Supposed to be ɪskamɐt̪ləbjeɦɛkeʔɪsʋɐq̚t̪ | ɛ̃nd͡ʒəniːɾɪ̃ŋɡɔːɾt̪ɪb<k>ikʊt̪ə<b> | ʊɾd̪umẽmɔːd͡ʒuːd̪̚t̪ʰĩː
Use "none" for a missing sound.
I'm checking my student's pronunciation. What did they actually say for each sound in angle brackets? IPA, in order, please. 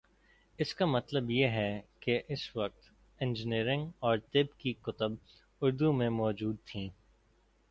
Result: k, b

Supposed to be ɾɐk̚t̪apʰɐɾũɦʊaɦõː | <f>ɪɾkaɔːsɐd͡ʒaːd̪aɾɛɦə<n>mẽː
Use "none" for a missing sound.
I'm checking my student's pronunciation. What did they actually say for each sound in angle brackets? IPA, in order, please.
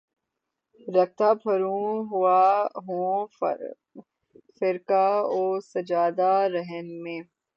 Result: f, n

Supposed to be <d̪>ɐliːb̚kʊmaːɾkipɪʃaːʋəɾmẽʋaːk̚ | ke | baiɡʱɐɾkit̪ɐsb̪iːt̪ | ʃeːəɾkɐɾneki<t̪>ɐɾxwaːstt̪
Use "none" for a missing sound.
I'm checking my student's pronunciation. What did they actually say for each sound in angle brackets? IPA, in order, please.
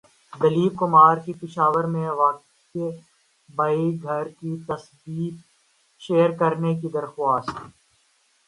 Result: d̪, d̪

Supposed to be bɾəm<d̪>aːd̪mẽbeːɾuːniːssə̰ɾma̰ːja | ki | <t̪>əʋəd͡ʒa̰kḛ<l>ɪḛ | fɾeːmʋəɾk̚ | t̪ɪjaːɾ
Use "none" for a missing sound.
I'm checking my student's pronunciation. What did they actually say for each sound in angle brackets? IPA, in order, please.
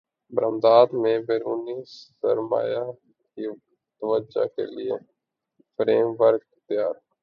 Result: d̪, t̪, l

